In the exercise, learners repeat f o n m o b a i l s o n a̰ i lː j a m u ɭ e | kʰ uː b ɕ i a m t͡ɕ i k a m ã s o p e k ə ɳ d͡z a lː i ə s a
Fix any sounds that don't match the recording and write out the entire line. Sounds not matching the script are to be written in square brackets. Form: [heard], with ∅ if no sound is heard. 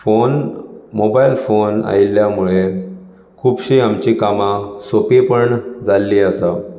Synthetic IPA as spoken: f o n m o b a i l [f] o n a̰ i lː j a m u ɭ e | kʰ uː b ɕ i a m t͡ɕ i k a m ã s o p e [p] ə ɳ d͡z a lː i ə s a